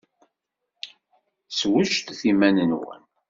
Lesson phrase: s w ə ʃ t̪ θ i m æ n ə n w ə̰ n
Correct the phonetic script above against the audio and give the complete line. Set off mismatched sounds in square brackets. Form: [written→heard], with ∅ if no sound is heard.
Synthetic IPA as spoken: s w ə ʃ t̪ θ i m æ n ə n w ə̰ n